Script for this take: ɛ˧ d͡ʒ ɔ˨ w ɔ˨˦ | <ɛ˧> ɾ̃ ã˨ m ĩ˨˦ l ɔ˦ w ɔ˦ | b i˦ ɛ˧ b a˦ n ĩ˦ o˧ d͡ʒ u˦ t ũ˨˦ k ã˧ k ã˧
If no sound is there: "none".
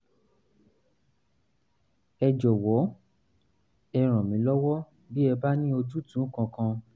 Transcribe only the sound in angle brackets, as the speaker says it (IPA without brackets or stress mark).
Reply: ɛ˧